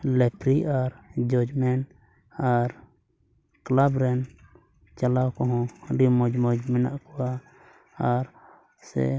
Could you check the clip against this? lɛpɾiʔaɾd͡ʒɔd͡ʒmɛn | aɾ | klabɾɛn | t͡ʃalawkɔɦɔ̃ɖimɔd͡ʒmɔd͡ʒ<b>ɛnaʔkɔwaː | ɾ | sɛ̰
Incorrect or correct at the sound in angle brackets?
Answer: incorrect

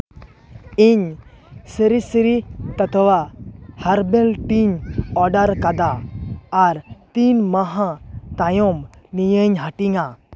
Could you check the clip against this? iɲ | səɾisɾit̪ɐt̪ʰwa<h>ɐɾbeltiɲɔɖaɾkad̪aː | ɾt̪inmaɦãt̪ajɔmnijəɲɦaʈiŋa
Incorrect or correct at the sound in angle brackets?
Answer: correct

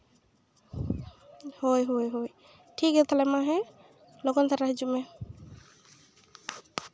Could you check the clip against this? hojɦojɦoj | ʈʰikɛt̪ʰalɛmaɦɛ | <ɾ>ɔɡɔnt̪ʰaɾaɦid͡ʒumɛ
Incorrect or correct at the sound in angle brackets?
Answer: incorrect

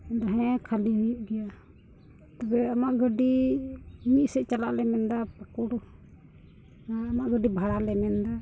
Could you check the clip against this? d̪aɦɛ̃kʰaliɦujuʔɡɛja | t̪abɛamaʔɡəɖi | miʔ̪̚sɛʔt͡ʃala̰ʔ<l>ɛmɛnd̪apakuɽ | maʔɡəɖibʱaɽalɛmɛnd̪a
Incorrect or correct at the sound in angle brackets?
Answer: correct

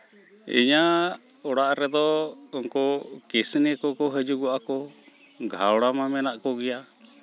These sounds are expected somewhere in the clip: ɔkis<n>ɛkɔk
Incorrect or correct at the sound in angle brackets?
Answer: correct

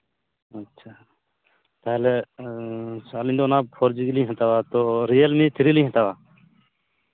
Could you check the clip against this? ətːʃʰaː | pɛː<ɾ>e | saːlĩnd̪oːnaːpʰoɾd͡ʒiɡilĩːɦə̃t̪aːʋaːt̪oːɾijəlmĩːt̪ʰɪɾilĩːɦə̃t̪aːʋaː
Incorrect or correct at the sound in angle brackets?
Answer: incorrect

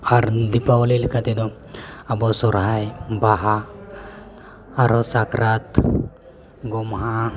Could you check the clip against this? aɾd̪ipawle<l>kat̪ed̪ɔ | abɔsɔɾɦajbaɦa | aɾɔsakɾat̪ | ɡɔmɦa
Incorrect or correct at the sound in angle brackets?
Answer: correct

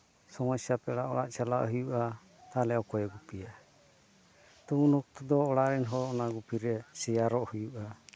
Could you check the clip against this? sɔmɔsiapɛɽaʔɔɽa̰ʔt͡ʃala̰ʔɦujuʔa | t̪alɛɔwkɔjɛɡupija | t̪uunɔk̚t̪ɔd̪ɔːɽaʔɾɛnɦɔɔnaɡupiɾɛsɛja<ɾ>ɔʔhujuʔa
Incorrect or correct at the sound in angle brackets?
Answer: correct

